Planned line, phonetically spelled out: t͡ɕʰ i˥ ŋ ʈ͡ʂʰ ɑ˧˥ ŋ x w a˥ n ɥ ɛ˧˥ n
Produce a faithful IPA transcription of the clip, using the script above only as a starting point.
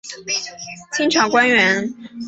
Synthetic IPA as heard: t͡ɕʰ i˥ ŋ ʈ͡ʂʰ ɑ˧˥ ŋ k w a˥ n ɥ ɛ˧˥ n